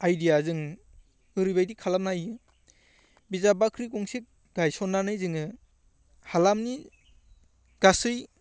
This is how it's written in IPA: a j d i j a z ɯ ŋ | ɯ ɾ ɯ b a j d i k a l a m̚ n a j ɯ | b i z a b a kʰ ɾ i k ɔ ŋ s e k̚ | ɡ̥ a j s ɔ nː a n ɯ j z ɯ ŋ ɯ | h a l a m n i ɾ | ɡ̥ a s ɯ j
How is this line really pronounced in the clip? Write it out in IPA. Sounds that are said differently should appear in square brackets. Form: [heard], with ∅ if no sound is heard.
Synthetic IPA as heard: a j d i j a z ɯ ŋ | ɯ ɾ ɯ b a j d i [kʰ] a l a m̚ n a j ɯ | b i z a b a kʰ ɾ i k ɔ ŋ s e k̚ | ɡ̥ a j s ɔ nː a n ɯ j z ɯ ŋ ɯ | h a l a m n i [∅] | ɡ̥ a s ɯ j